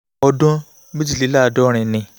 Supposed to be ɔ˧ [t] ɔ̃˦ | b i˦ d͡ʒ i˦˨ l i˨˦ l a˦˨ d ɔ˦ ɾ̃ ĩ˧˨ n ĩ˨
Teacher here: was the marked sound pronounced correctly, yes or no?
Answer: no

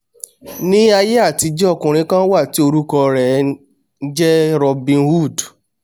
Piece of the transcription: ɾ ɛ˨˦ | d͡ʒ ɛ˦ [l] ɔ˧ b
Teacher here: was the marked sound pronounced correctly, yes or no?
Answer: no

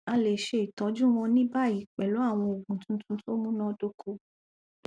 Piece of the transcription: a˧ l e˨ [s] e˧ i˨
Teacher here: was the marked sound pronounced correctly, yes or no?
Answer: no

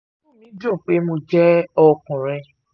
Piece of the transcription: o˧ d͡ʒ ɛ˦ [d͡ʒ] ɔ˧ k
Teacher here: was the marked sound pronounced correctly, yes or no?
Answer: no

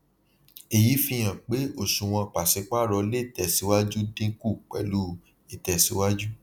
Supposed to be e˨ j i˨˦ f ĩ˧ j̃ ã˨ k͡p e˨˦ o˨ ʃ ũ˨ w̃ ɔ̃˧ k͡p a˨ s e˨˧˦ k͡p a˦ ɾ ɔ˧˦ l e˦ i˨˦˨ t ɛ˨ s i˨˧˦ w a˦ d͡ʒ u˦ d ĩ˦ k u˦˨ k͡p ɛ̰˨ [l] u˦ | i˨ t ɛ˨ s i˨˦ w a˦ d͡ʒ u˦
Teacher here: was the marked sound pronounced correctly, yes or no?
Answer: yes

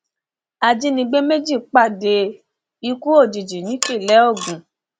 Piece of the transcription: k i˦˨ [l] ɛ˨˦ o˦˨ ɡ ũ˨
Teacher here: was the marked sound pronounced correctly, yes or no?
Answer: yes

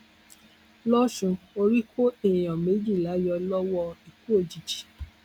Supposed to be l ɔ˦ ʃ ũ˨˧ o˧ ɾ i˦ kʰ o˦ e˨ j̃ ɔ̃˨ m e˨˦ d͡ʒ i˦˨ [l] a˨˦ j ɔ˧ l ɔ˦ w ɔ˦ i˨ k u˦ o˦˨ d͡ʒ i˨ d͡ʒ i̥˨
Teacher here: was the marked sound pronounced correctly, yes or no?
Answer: yes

